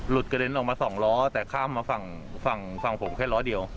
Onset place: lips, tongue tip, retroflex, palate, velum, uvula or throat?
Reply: tongue tip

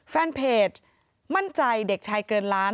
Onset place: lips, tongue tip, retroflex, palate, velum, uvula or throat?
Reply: lips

